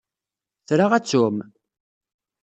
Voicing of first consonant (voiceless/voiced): voiceless